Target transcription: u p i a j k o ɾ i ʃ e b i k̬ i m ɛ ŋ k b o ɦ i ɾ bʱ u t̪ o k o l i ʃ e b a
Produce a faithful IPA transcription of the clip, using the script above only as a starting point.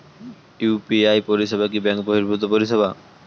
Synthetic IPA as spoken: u p i a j p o ɾ i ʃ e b a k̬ i b ɛ ŋ k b o ɦ i ɾ bʱ u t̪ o p o ɾ i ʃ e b a